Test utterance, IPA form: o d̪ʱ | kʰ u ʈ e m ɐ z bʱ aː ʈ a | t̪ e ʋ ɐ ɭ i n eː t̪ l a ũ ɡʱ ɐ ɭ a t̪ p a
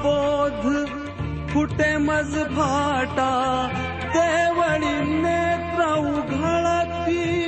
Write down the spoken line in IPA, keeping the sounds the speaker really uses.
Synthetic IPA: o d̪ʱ | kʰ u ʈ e m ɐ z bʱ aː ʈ a | t̪ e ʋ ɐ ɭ i n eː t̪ ɾ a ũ ɡʱ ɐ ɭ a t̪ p i